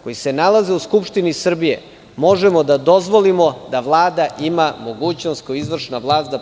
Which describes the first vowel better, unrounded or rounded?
rounded